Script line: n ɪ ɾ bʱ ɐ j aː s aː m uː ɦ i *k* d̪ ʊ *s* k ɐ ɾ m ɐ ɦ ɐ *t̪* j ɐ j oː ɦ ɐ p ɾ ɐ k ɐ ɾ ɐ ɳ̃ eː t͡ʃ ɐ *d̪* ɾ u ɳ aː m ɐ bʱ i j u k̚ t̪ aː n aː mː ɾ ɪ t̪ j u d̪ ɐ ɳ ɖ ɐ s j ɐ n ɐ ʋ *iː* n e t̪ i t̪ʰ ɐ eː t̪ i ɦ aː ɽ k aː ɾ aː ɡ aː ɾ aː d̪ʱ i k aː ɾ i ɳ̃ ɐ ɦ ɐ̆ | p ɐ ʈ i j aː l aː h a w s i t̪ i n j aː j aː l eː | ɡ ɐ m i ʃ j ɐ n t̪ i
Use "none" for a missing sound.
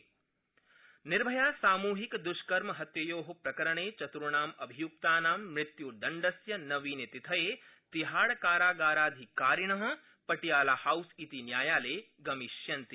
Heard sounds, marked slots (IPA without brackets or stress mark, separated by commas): k, ʃ, t̪, t̪, iː